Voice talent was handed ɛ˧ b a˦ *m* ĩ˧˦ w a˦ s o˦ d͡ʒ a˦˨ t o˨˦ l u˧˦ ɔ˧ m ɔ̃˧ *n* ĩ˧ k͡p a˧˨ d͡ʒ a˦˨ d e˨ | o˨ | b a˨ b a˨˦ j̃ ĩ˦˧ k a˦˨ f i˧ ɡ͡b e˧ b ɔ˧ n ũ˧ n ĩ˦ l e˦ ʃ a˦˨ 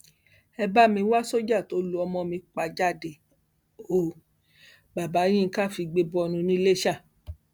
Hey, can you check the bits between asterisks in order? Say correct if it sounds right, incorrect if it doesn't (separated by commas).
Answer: correct, incorrect